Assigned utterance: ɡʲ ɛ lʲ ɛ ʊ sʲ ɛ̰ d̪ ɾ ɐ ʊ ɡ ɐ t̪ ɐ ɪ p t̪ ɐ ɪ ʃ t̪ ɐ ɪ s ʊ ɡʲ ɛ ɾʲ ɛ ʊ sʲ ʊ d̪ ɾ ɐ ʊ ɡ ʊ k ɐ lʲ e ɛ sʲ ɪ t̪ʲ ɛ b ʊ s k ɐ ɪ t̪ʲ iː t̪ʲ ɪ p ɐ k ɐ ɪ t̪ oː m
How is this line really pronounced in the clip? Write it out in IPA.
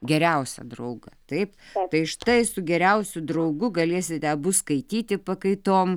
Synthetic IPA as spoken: ɡʲ ɛ ɾʲ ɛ ʊ sʲ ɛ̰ d̪ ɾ ɐ ʊ ɡ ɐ t̪ ɐ ɪ p t̪ ɐ ɪ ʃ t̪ ɐ ɪ s ʊ ɡʲ ɛ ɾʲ ɛ ʊ sʲ ʊ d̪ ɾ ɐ ʊ ɡ ʊ ɡ ɐ lʲ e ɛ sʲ ɪ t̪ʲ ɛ b ʊ s k ɐ ɪ t̪ʲ iː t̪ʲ ɪ p ɐ k ɐ ɪ t̪ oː m

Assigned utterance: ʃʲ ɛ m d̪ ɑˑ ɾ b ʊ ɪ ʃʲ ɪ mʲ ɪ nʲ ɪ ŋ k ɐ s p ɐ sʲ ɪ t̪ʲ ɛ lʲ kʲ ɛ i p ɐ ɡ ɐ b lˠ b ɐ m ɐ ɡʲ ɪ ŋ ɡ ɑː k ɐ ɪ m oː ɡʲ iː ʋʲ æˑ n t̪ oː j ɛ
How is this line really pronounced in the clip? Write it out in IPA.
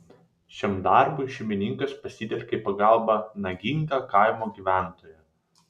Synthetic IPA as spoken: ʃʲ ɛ m d̪ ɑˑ ɾ b ʊ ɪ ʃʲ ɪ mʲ ɪ nʲ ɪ ŋ k ɐ s p ɐ sʲ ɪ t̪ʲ ɛ lʲ kʲ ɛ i p ɐ ɡ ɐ lˠ b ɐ n ɐ ɡʲ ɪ ŋ ɡ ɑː k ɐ ɪ m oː ɡʲ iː ʋʲ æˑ n t̪ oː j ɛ

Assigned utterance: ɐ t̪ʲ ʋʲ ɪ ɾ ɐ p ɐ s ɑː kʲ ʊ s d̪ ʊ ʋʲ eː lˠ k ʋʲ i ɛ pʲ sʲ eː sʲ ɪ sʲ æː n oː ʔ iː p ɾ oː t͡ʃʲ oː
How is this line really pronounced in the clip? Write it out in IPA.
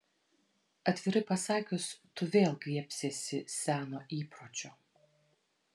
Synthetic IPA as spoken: ɐ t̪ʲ ʋʲ ɪ ɾ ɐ p ɐ s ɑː kʲ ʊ s t̪ ʊ ʋʲ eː lˠ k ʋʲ i ɛ pʲ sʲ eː sʲ ɪ sʲ æː n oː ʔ iː p ɾ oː t͡ʃʲ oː

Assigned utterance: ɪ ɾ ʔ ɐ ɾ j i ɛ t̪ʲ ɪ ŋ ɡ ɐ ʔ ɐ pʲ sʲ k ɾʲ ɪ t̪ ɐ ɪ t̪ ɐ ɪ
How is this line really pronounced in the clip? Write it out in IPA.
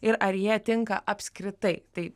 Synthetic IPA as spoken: ɪ ɾ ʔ ɐ ɾ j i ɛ t̪ʲ ɪ ŋ k ɐ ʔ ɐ pʲ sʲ k ɾʲ ɪ t̪ ɐ ɪ t̪ ɐ ɪ

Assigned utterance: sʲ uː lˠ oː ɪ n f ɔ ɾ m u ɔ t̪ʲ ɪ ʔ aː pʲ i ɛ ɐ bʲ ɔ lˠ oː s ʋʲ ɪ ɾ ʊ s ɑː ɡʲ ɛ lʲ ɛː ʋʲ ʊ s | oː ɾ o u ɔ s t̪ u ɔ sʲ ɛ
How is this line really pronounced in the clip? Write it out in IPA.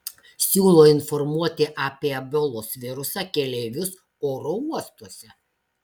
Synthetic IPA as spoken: sʲ uː lˠ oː ɪ n f ɔ ɾ m u ɔ t̪ʲ ɪ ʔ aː pʲ i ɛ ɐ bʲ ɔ lˠ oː s ʋʲ ɪ ɾ ʊ s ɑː kʲ ɛ lʲ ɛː ʋʲ ʊ s | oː ɾ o u ɔ s t̪ u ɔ sʲ ɛ

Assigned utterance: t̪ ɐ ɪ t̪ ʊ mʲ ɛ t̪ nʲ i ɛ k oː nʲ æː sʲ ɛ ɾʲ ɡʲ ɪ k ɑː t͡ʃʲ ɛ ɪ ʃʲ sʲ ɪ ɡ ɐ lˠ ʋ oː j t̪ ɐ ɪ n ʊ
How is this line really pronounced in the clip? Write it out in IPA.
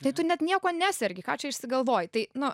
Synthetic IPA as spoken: t̪ ɐ ɪ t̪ ʊ nʲ ɛ t̪ nʲ i ɛ k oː nʲ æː sʲ ɛ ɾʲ ɡʲ ɪ k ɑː t͡ʃʲ ɛ ɪ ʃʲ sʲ ɪ ɡ ɐ lˠ ʋ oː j t̪ ɐ ɪ n ʊ

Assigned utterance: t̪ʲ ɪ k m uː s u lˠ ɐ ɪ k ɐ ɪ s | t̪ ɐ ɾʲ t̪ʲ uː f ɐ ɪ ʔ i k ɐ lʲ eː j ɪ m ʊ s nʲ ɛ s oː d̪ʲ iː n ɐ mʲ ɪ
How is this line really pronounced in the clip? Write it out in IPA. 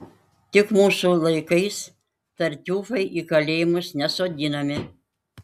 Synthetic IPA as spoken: t̪ʲ ɪ k m uː s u lˠ ɐ ɪ k ɐ ɪ s | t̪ ɐ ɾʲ t̪ʲ uː f ɐ ɪ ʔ i k ɐ lʲ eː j ɪ m ʊ s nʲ ɛ s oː d̪ʲ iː n ɐ mʲ ɪ

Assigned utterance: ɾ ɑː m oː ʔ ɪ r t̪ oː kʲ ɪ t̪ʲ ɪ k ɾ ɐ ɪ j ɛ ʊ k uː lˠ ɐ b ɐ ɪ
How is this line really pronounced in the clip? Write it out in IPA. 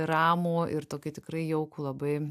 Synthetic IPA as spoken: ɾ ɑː m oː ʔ ɪ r t̪ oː kʲ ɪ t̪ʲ ɪ k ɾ ɐ ɪ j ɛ ʊ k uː lˠ ɐ b ɐ ɪ

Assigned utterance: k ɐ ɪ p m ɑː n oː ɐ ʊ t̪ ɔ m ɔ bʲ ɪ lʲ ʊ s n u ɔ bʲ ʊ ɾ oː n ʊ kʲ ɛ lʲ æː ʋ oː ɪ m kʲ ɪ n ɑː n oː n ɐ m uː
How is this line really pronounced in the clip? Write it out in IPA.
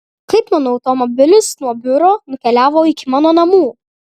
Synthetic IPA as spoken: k ɐ ɪ p m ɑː n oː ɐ ʊ t̪ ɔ m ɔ bʲ ɪ lʲ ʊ s n u ɔ bʲ ʊ ɾ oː n ʊ kʲ ɛ lʲ æː ʋ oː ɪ kʲ ɪ m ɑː n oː n ɐ m uː

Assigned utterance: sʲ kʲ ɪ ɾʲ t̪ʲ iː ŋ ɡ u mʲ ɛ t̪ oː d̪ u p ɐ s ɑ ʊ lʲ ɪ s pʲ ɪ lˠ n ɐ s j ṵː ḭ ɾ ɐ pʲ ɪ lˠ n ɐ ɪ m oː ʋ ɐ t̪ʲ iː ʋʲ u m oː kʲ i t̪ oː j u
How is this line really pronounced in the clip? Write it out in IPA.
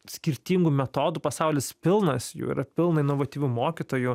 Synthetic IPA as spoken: sʲ kʲ ɪ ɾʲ t̪ʲ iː ŋ ɡ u mʲ ɛ t̪ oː d̪ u p ɐ s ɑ ʊ lʲ ɪ s pʲ ɪ lˠ n ɐ s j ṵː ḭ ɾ ɐ pʲ ɪ lˠ n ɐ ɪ n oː ʋ ɐ t̪ʲ iː ʋʲ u m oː kʲ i t̪ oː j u

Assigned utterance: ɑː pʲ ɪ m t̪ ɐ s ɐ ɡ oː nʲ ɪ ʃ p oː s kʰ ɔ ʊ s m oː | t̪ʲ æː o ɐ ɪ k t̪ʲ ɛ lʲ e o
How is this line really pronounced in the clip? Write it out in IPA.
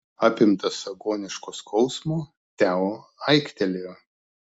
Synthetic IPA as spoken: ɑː pʲ ɪ m t̪ ɐ s ɐ ɡ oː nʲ ɪ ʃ k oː s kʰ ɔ ʊ s m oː | t̪ʲ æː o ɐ ɪ k t̪ʲ ɛ lʲ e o

